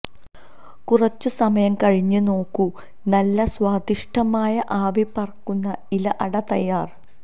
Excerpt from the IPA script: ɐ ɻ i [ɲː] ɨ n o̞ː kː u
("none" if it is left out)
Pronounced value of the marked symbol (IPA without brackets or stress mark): ɲː